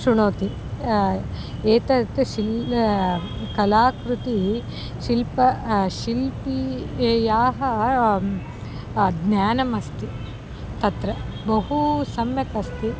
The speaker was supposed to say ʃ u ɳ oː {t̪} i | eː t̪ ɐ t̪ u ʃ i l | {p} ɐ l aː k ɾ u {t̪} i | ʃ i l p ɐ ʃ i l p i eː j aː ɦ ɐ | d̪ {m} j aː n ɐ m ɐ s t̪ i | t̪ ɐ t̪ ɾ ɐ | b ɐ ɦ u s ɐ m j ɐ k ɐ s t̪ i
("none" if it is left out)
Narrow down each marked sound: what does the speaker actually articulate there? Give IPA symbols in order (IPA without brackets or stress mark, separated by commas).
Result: t̪, k, t̪, n